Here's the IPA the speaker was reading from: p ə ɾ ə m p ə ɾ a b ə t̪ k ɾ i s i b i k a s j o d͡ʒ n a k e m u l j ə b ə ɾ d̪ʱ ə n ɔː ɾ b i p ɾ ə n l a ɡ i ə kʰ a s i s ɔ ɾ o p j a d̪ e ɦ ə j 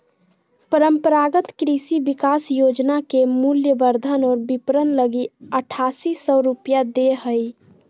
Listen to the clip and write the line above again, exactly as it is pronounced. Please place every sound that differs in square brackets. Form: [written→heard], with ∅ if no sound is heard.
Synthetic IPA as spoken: p ə ɾ ə m p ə ɾ a [b→ɡ] ə t̪ k ɾ i s i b i k a s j o d͡ʒ n a k e m u l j ə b ə ɾ d̪ʱ ə n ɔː ɾ b i p ɾ ə n l [a→ə] ɡ i ə [kʰ→ʈʰ] a s i s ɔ ɾ [o→u] p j a d̪ e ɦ ə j